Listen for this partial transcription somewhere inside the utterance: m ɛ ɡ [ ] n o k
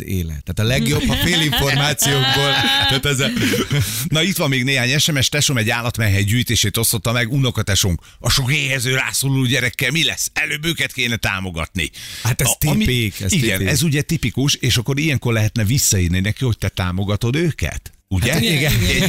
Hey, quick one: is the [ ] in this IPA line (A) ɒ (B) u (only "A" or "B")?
B